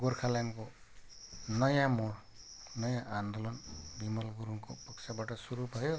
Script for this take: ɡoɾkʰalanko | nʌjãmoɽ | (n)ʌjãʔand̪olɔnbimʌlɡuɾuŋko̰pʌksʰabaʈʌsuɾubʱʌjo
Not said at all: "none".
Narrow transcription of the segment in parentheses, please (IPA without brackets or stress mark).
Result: n